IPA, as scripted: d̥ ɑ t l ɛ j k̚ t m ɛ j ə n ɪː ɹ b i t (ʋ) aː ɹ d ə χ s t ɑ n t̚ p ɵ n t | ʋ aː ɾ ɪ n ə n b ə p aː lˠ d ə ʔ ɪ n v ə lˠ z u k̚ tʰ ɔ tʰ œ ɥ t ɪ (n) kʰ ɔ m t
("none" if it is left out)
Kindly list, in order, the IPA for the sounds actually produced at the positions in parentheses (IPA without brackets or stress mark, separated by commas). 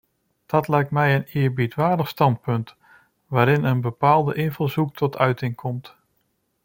ʋ, ŋ